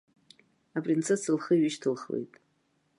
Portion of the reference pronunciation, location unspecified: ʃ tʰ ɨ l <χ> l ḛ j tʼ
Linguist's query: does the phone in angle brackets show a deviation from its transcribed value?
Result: no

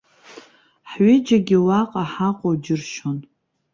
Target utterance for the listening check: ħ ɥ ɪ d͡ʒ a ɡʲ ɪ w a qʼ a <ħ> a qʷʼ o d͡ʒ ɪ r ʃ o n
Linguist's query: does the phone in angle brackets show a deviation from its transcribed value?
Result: no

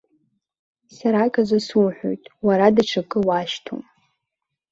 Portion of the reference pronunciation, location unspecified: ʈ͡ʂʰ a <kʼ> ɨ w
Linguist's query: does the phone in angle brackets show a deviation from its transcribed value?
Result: no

